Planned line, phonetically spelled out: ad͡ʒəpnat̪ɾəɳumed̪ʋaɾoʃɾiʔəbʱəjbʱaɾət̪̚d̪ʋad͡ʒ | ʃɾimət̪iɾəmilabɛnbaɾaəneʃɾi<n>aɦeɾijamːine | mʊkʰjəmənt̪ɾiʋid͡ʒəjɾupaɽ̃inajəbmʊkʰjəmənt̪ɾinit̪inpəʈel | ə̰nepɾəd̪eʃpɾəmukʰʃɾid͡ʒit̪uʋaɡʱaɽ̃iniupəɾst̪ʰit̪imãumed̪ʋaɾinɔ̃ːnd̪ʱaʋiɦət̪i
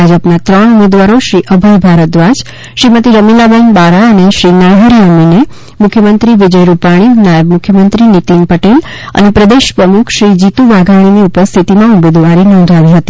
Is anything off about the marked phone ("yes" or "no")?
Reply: no